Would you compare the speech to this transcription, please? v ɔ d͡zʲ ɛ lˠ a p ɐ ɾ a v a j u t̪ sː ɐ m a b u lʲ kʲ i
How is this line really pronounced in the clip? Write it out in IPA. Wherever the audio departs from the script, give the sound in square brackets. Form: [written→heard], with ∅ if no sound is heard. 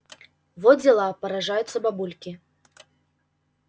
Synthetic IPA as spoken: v ɔ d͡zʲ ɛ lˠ a p ɐ ɾ a [v→ʐ] a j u t̪ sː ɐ [m→b] a b u lʲ kʲ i